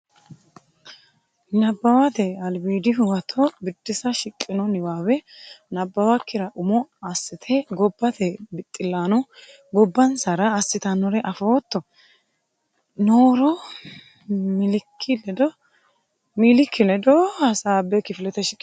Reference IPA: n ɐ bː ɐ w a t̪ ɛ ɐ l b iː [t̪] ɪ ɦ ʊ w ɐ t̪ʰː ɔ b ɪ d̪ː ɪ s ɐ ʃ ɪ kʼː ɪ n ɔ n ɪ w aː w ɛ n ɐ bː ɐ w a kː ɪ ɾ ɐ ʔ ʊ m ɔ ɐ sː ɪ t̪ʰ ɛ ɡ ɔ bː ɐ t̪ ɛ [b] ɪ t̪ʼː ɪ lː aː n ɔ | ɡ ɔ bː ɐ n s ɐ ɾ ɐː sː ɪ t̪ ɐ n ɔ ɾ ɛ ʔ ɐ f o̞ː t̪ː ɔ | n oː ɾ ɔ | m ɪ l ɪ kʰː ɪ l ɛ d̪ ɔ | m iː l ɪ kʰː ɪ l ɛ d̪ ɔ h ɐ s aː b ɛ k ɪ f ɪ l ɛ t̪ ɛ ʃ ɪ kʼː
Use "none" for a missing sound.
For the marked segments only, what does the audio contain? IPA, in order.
d̪, b

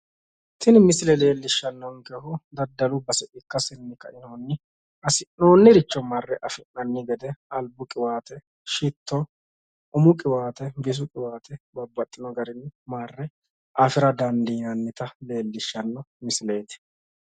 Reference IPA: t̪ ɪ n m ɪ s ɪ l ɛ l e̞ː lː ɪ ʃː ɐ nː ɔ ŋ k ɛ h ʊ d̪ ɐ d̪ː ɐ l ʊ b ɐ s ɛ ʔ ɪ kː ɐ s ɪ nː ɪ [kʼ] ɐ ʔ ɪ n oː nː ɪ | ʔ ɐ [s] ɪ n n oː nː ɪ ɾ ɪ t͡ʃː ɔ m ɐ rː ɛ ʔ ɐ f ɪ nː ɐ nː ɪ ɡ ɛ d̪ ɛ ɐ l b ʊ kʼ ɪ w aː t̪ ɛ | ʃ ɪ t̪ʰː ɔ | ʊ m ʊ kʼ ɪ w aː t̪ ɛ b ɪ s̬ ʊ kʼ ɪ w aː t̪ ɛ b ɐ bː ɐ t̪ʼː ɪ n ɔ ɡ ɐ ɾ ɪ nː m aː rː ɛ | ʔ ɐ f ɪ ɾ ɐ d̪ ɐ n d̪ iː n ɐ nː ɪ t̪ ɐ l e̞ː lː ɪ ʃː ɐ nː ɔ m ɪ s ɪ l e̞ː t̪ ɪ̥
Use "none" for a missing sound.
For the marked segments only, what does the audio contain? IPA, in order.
k, s

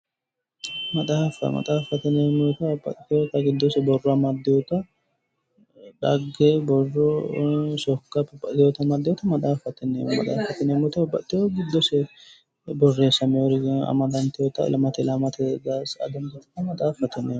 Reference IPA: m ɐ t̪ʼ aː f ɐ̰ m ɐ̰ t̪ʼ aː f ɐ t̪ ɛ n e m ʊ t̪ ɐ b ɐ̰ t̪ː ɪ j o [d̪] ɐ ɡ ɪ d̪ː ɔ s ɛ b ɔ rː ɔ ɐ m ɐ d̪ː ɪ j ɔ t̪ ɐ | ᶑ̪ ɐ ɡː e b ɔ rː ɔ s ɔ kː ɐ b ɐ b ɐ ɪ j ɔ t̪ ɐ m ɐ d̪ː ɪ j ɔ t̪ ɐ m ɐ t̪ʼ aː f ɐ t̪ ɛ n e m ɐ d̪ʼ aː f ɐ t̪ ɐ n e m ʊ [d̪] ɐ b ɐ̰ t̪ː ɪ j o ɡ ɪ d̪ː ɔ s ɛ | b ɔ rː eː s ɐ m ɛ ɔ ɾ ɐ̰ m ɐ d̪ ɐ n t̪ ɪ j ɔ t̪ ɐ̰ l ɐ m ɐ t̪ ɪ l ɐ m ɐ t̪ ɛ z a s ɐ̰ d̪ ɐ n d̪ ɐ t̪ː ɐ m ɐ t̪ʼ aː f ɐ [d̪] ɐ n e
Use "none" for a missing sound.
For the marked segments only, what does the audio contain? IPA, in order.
t̪, t̪, t̪

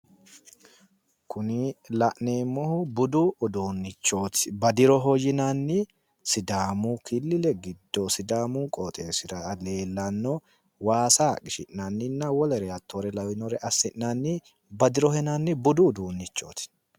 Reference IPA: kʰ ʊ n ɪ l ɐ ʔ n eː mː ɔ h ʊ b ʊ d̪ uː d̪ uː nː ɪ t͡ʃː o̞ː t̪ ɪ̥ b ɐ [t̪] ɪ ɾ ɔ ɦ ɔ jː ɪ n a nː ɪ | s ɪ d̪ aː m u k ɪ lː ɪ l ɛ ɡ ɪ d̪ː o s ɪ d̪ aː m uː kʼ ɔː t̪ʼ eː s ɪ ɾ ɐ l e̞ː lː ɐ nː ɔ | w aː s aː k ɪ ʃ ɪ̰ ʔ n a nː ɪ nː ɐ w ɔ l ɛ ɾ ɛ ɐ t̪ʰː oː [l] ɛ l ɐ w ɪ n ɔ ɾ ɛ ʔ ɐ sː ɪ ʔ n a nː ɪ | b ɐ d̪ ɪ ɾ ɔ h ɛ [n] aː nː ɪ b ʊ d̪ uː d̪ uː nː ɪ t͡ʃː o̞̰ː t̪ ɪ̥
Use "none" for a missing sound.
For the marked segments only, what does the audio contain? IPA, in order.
d̪, ɾ, n

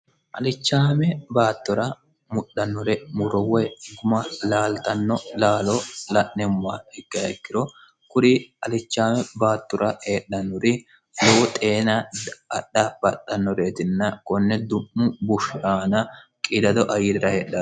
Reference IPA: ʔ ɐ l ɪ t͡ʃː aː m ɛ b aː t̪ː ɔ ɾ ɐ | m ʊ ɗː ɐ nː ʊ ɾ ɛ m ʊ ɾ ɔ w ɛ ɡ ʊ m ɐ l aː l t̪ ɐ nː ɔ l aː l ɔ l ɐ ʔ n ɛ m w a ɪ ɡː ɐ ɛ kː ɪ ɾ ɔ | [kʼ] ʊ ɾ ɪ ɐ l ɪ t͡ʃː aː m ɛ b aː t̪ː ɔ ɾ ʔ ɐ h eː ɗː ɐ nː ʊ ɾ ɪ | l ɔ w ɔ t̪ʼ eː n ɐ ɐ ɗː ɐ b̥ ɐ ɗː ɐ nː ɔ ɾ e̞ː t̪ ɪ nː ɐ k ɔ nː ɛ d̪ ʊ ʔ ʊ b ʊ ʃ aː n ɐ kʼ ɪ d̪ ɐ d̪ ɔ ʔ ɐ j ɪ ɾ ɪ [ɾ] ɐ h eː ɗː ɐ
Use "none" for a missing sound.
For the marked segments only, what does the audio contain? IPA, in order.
k, ɾ

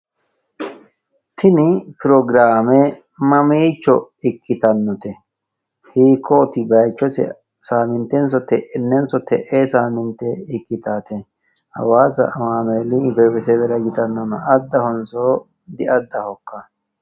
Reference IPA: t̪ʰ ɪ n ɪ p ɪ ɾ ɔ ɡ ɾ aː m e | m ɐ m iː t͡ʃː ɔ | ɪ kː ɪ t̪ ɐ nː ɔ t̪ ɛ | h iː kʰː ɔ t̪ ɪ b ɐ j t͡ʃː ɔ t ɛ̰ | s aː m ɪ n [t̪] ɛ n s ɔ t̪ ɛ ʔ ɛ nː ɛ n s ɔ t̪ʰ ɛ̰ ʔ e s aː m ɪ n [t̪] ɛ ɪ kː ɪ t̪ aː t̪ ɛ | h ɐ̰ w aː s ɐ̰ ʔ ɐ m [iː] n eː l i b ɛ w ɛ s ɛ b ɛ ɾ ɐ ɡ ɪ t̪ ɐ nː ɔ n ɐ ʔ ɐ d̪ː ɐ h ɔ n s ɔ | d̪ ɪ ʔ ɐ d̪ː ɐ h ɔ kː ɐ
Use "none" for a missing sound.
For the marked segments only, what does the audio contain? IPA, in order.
t̪, t̪, aː

